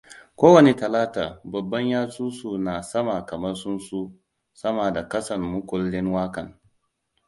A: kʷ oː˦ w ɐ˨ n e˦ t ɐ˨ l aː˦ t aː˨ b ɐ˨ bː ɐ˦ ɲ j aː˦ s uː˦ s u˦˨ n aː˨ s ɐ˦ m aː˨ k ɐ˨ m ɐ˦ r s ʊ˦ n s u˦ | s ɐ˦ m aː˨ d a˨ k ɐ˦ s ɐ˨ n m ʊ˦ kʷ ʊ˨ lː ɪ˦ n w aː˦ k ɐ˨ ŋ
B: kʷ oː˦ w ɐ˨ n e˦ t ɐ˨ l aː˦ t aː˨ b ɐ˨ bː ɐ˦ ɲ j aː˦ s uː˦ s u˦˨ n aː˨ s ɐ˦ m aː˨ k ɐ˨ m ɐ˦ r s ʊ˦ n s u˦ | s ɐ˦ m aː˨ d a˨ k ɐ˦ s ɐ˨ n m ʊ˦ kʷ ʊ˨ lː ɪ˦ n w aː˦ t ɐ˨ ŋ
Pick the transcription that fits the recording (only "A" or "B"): A